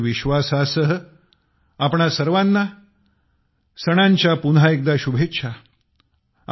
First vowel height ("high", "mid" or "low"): high